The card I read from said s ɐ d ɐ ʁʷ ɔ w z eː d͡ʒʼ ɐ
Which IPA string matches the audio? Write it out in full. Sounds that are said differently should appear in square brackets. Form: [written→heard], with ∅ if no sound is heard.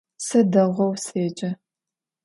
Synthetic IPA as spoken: s ɐ d ɐ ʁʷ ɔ w [z→s] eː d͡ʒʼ ɐ